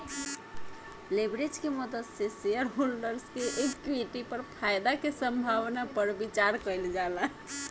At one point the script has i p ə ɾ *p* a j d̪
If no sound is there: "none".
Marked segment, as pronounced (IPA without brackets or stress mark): pʰ